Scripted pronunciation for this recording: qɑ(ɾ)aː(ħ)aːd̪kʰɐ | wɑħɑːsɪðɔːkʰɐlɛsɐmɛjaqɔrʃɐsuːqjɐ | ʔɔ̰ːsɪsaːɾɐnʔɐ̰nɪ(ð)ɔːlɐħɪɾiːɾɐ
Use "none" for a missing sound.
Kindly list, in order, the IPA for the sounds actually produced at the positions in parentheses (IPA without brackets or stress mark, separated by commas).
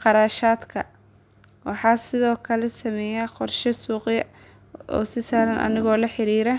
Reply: ɾ, ʃ, ɣ